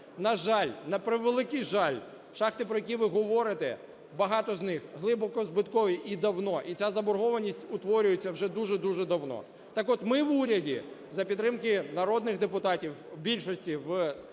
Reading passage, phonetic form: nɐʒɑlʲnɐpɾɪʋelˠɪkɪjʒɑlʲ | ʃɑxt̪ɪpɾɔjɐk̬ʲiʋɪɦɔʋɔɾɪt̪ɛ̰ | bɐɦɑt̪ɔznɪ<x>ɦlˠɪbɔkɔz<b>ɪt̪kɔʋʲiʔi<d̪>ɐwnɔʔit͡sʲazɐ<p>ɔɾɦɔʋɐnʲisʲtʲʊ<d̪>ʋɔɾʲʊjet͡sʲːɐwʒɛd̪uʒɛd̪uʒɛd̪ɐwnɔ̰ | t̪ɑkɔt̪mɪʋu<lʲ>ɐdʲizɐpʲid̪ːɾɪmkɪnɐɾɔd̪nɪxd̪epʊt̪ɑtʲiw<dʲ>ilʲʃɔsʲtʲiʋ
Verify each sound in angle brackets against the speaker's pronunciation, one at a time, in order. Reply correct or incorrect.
correct, correct, correct, incorrect, incorrect, incorrect, incorrect

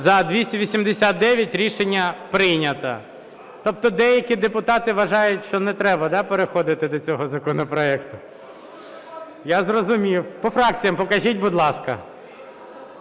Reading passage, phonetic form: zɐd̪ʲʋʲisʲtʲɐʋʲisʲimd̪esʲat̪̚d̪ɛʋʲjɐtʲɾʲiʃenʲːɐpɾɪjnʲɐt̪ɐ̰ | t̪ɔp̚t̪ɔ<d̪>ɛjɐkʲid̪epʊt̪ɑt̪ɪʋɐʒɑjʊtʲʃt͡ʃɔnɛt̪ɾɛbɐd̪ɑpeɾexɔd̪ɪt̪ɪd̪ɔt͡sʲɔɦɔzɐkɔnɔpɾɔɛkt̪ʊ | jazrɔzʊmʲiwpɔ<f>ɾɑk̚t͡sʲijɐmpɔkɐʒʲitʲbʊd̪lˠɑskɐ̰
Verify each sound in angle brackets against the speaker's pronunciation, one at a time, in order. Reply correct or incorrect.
correct, correct

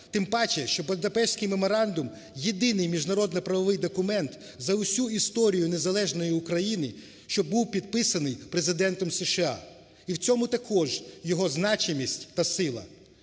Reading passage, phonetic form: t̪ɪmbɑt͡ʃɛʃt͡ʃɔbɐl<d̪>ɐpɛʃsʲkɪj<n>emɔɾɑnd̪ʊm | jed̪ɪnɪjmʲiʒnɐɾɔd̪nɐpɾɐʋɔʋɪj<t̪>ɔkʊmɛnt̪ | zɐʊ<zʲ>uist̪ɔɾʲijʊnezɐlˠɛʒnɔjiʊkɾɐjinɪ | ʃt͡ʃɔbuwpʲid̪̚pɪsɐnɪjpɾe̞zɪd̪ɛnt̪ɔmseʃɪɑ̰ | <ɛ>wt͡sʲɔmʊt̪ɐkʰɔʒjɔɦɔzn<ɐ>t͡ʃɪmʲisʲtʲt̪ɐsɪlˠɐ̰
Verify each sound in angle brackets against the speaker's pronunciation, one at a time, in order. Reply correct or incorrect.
correct, incorrect, incorrect, incorrect, incorrect, incorrect

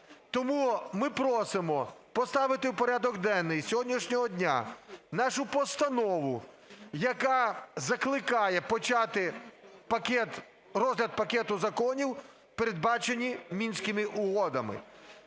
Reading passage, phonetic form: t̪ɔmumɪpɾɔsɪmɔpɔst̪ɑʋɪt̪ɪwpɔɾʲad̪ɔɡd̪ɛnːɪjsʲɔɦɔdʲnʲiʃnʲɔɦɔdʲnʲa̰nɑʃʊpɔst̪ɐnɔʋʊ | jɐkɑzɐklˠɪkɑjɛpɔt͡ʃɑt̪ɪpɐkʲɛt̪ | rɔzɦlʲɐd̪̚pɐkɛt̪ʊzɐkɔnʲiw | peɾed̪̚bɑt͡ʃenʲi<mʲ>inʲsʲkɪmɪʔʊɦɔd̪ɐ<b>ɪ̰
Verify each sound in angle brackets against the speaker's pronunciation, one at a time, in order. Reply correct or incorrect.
correct, incorrect

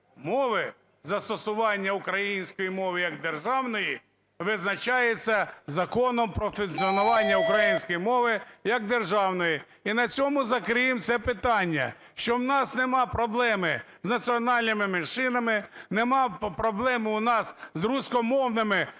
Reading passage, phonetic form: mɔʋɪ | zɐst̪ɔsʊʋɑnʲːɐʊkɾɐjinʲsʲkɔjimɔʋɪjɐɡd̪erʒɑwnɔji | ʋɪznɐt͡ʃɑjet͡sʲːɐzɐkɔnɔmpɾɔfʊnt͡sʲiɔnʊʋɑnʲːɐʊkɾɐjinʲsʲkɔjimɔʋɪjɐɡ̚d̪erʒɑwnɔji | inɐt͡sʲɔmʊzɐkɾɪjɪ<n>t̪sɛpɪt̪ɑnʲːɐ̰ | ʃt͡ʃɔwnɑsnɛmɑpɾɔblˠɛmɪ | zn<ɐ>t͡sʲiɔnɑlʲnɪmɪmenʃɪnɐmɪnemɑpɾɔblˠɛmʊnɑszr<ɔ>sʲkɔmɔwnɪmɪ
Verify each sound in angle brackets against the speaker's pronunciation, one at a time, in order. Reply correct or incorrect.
incorrect, correct, incorrect

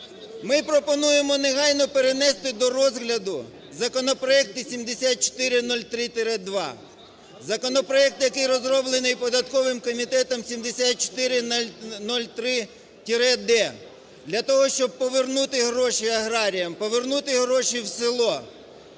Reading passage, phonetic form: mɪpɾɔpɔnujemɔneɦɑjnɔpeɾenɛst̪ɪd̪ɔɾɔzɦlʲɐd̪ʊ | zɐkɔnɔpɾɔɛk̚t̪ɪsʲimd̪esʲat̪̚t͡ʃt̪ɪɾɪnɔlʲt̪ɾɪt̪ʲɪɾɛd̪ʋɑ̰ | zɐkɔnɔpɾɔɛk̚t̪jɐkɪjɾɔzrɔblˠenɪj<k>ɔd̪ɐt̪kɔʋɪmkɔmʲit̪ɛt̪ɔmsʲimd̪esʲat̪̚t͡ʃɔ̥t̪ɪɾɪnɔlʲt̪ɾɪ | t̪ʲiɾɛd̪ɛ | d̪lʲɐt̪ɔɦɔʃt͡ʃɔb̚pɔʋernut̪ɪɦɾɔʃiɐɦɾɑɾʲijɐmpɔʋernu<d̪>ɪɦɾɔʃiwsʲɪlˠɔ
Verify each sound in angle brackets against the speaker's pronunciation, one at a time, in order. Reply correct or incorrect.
incorrect, incorrect

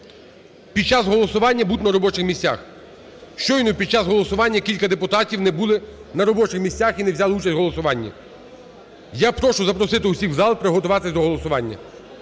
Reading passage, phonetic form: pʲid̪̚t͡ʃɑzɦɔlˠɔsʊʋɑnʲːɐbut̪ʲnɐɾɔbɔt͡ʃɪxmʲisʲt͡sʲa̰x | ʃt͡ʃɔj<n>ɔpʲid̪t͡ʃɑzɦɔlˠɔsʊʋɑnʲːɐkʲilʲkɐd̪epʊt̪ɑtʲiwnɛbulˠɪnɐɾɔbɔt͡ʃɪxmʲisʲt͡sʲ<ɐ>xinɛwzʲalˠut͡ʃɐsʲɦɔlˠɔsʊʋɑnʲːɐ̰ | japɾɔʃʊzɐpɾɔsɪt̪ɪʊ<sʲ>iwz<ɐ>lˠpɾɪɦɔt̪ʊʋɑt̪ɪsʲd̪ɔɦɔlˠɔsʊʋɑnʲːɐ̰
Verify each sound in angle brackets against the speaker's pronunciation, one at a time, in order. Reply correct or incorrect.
correct, incorrect, correct, incorrect

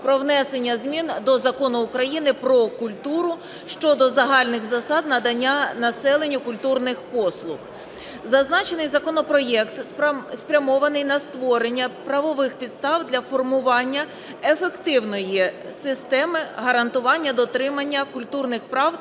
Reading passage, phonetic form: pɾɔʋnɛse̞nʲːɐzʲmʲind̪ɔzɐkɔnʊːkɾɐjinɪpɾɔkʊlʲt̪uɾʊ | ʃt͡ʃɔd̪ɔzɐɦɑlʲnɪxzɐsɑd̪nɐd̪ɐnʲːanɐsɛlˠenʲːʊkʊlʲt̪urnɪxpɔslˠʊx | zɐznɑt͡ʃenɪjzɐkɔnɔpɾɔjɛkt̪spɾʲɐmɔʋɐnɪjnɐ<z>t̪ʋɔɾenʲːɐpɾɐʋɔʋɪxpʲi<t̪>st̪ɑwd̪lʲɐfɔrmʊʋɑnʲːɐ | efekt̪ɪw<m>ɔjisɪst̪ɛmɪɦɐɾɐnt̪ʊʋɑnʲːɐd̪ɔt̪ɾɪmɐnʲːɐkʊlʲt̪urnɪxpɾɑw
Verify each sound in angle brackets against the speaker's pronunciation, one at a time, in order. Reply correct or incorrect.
incorrect, incorrect, incorrect

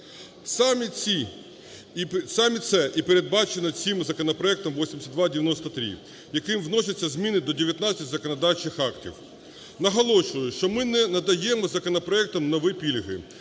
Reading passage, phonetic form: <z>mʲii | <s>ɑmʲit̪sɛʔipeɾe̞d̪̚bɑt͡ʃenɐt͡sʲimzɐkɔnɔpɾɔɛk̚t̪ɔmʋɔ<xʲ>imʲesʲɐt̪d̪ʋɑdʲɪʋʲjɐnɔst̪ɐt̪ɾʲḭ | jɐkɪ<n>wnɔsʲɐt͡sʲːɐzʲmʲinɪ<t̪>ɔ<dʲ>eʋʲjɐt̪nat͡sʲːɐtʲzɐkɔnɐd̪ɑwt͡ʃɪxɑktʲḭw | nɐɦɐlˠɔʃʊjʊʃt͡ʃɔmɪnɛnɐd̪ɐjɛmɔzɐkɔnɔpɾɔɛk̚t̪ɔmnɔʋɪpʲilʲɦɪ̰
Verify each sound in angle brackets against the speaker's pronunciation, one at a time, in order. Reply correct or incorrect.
incorrect, correct, incorrect, incorrect, incorrect, correct

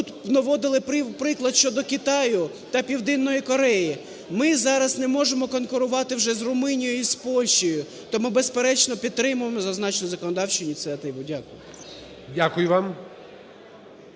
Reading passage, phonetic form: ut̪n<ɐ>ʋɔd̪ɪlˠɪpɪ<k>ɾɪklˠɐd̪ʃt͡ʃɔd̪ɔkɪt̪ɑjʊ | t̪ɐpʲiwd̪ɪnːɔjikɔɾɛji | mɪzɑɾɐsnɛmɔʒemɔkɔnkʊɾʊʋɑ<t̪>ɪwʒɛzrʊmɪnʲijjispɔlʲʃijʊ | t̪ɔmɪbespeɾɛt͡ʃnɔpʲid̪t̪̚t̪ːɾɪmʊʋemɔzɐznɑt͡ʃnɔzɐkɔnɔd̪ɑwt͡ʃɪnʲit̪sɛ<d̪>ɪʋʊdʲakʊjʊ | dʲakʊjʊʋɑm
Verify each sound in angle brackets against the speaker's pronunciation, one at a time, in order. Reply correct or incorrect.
correct, incorrect, correct, incorrect

